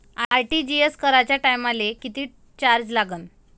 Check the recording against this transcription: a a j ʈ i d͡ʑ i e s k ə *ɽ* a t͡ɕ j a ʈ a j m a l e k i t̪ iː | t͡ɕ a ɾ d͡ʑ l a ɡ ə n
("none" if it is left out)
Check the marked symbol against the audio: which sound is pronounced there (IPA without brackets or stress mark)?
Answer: ɾ